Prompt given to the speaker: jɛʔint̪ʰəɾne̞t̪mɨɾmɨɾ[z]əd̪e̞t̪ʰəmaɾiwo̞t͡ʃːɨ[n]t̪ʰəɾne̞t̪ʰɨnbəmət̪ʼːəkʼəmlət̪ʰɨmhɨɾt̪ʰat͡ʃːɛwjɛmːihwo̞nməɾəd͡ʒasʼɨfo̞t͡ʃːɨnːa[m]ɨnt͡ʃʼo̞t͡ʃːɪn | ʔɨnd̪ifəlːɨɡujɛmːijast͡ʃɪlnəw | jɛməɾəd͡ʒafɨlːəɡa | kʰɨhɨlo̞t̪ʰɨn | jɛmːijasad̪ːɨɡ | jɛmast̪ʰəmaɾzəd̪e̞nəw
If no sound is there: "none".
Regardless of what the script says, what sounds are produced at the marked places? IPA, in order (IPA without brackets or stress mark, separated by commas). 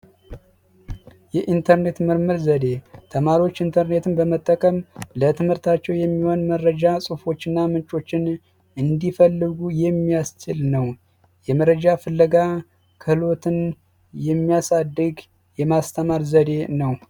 z, n, m